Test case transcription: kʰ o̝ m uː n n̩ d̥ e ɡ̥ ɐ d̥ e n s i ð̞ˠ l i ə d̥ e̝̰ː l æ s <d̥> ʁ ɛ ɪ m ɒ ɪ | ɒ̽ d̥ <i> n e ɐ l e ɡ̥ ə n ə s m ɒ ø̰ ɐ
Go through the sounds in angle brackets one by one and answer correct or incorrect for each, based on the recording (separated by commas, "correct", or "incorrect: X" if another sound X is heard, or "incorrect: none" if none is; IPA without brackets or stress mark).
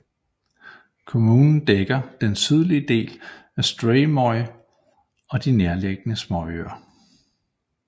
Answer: correct, correct